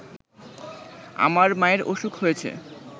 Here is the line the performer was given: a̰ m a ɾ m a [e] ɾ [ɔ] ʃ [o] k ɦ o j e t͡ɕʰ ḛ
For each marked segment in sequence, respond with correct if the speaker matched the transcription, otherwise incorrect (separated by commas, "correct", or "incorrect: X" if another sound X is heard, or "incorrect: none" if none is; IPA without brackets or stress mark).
correct, incorrect: o, incorrect: u